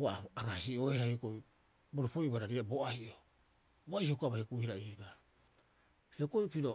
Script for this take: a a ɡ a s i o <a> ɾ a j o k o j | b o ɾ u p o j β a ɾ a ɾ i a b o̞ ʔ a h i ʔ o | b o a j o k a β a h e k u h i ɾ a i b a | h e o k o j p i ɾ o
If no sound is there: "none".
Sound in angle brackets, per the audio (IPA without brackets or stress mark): e